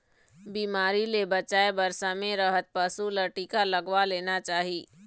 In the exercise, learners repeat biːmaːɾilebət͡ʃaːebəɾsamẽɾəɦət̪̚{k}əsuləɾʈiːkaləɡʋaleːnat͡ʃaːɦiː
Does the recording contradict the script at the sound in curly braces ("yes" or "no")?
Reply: yes